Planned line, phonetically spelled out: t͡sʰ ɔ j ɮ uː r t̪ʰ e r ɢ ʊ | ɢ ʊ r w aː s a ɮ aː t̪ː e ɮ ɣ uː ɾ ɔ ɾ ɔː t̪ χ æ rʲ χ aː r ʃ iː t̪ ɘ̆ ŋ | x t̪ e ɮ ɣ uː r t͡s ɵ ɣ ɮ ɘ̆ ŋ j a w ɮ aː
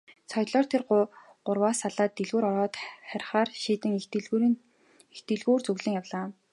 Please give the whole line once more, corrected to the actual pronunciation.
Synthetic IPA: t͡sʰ ɔ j ɮ ɔː r t̪ʰ e r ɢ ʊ | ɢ ʊ r w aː s a ɮ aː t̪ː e ɮ ɣ uː ɾ ɔ ɾ ɔː t̪ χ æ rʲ χ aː r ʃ iː t̪ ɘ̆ ŋ | x t̪ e ɮ ɣ uː r t͡s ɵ ɣ ɮ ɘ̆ ŋ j a w ɮ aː